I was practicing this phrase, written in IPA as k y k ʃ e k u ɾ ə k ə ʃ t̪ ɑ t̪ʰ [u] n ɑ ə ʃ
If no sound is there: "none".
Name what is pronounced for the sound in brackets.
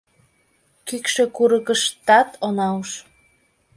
o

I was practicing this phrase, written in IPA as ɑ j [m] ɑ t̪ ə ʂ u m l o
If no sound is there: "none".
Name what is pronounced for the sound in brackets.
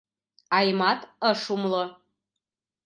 m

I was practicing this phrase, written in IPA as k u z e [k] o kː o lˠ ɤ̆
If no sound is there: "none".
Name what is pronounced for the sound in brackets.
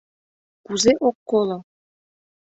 ʔ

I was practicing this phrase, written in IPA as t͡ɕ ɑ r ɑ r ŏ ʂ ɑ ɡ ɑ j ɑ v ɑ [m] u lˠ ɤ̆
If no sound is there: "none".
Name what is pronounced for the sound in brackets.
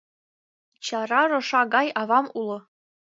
m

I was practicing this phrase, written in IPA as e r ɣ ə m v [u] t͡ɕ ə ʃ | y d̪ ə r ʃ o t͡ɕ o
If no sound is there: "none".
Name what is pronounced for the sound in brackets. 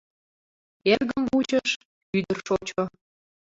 u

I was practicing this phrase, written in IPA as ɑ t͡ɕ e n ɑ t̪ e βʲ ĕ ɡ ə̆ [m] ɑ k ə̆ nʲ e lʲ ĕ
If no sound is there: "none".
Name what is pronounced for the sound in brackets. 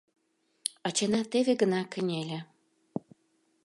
n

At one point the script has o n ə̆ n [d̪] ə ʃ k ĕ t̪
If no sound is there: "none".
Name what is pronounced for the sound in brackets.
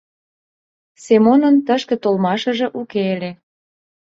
t̪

